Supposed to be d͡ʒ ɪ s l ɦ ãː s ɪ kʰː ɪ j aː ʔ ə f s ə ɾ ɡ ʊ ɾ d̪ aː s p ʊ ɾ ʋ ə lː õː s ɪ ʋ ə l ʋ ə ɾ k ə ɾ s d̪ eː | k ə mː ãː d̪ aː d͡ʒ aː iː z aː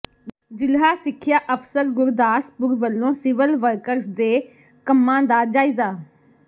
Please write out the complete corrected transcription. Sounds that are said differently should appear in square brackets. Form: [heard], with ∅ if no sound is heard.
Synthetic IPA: d͡ʒ ɪ [∅] l ɦ [aː] s ɪ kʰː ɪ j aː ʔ ə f s ə ɾ ɡ ʊ ɾ d̪ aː s p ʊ ɾ ʋ ə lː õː s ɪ ʋ ə l ʋ ə ɾ k ə ɾ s d̪ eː | k ə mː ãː d̪ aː d͡ʒ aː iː z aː